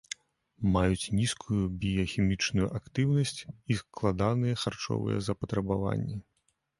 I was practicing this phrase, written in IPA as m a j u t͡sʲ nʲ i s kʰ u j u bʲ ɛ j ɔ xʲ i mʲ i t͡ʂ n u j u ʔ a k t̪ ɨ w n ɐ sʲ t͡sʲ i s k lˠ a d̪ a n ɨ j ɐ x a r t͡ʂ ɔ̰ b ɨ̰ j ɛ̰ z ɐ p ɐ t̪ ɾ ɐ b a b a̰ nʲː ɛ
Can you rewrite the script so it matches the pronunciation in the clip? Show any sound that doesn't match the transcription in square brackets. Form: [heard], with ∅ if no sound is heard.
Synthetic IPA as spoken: m a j u t͡sʲ nʲ i s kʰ u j u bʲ [i] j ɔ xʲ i mʲ i t͡ʂ n u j u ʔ a k t̪ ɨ w n ɐ sʲ t͡sʲ i s k lˠ a d̪ a n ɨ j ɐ x a r t͡ʂ ɔ̰ [v] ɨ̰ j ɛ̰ z ɐ p ɐ t̪ ɾ ɐ b a [v] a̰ nʲː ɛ